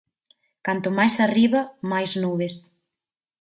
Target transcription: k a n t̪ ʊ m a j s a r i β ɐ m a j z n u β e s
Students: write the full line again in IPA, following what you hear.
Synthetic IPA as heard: k a n t̪ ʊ m a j s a r i β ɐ m a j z n u β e s